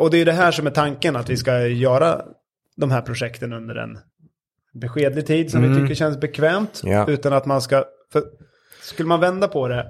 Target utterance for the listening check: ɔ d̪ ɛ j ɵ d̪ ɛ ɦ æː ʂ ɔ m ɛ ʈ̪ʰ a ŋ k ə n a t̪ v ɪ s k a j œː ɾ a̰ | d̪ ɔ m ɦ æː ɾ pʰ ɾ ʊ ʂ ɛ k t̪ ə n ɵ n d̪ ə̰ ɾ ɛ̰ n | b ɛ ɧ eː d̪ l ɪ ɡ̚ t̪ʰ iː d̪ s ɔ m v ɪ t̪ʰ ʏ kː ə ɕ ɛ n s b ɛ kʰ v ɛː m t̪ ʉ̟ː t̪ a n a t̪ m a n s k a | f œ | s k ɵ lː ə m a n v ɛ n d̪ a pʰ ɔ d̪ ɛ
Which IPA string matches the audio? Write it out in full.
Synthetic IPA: ɔ d̪ ɛ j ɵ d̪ ɛ ɦ æː ʂ ɔ m ɛ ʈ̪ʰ a ŋ k ə n a t̪ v ɪ s k a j œː ɾ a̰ | d̪ ɔ m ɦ æː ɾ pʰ ɾ ʊ ʂ ɛ k t̪ ə n ɵ n d̪ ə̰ ɾ ɛ̰ n | b ɛ ɧ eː d̪ l ɪ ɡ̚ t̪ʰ iː d̪ s ɔ m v ɪ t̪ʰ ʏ kː ə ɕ ɛ n s b ɛ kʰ v ɛː m t̪ ʉ̟ː t̪ a n a t̪ m a n s k a | f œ | s k ɵ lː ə m a n v ɛ n d̪ a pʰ ɔ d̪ ɛ